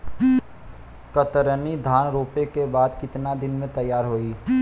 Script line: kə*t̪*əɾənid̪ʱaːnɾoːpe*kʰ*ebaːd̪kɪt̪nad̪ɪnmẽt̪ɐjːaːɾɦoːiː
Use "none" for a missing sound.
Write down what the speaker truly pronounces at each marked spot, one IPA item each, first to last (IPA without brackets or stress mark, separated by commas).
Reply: t̪, k